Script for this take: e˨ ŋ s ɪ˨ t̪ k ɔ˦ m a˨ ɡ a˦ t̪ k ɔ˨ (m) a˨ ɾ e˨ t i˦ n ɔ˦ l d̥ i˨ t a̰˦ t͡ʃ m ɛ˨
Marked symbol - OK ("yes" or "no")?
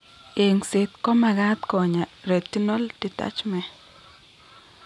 no